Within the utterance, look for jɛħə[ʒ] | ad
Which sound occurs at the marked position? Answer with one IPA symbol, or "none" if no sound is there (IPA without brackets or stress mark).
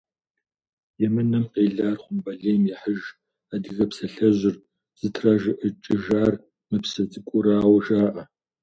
ʒ